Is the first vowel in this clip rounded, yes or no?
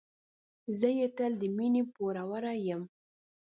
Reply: no